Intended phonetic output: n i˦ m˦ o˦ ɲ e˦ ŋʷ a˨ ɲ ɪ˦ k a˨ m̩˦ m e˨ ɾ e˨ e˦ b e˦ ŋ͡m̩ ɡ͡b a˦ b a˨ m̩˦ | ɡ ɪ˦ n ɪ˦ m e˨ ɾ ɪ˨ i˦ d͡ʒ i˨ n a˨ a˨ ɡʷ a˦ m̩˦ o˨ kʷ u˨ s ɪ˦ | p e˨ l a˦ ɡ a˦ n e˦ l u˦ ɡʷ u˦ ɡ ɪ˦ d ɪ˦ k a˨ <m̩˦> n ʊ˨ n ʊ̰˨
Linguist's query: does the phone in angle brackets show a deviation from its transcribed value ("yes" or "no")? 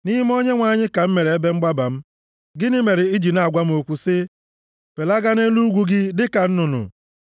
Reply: yes